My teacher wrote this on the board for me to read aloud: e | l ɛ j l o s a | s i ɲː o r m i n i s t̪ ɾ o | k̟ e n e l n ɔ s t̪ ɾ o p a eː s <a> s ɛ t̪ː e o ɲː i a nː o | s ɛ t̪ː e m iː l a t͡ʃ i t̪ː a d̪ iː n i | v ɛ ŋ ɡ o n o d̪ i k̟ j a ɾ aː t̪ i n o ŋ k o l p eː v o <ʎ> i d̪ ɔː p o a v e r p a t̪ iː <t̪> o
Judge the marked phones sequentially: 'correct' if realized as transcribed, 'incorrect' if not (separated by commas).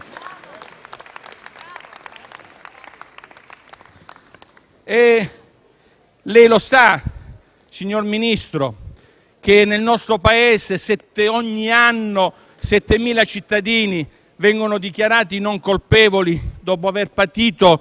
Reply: incorrect, incorrect, correct